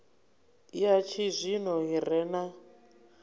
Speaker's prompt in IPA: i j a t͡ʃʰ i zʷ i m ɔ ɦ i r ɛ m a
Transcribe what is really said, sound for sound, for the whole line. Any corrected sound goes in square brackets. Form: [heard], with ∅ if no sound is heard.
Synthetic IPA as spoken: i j a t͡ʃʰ i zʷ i [n] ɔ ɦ i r ɛ [n] a